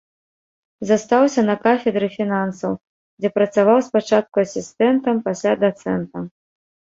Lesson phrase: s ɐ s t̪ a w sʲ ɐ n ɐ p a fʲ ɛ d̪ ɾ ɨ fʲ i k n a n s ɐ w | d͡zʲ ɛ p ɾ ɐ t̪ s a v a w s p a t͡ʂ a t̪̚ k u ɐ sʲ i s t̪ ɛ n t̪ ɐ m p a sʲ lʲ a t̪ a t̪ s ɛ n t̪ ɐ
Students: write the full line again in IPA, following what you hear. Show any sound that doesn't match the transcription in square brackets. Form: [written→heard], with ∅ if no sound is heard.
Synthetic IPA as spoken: [s→z] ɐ s t̪ a w sʲ ɐ n ɐ [p→k] a fʲ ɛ d̪ ɾ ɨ fʲ i [k→∅] n a n s ɐ w | d͡zʲ ɛ p ɾ ɐ t̪ s a v a w s p a t͡ʂ a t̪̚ k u ɐ sʲ i s t̪ ɛ n t̪ ɐ m p a sʲ lʲ a [t̪→d̪] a t̪ s ɛ n t̪ ɐ